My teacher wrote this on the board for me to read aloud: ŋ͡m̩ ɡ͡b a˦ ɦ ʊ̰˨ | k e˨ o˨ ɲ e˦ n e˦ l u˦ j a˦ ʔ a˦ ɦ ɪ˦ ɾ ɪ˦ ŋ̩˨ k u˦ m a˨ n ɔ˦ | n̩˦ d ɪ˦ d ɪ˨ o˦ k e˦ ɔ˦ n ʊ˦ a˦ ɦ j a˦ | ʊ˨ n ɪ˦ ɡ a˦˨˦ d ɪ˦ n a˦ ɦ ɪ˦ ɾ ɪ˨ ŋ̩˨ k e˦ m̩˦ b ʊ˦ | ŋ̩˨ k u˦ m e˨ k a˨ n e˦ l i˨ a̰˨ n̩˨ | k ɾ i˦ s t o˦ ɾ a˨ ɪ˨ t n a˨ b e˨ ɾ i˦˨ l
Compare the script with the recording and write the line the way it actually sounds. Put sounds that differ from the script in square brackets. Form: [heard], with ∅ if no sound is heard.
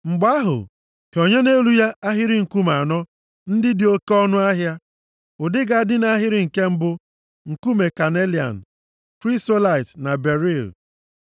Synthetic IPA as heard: ŋ͡m̩ ɡ͡b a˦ ɦ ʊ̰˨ | k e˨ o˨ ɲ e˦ n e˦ l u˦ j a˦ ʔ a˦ ɦ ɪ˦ ɾ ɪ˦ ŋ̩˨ k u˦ m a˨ n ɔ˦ | n̩˦ d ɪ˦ d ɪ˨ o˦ k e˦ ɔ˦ n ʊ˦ a˦ ɦ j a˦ | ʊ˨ [d] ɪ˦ ɡ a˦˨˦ d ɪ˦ n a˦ ɦ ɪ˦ ɾ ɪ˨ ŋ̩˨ k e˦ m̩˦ b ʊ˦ | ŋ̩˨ k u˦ m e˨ k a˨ n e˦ l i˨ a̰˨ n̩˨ | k ɾ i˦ s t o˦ [l] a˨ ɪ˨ t n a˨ b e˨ ɾ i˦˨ l